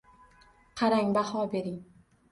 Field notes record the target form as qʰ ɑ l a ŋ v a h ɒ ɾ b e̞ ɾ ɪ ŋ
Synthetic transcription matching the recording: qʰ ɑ ɾ a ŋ b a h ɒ b e̞ ɾ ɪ ŋ